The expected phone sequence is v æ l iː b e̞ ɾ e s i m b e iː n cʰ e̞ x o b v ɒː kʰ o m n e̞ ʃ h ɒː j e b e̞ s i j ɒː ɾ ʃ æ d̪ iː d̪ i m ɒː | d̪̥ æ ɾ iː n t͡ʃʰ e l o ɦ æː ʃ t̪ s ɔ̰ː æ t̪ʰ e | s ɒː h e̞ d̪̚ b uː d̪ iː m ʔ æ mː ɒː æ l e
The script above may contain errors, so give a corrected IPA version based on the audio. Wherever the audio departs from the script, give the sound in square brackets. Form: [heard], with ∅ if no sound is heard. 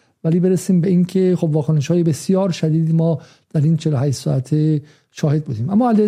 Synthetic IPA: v æ l iː b e̞ ɾ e s [iː] m b e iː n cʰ e̞ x o b v ɒː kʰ o [∅] n e̞ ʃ h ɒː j e b e̞ s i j ɒː ɾ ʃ æ d̪ iː d̪ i m ɒː | d̪̥ æ ɾ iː n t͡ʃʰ e l o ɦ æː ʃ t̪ s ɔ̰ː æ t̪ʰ e | [ʃ] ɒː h e̞ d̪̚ b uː d̪ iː m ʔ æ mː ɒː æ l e